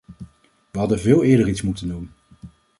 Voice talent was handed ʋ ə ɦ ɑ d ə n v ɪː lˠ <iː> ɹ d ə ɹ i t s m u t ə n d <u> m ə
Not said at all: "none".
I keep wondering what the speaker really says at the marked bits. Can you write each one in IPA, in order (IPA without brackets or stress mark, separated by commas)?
ɪː, u